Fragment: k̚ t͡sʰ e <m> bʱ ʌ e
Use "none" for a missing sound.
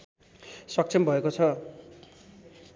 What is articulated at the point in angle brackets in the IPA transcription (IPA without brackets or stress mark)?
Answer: m